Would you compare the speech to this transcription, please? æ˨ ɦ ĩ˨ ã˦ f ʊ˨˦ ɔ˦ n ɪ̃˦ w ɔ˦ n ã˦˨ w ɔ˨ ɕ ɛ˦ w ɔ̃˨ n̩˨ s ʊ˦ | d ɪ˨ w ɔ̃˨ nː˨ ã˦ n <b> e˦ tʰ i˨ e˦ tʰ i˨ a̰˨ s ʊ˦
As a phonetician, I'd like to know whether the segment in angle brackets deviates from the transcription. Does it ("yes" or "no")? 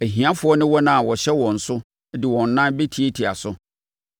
no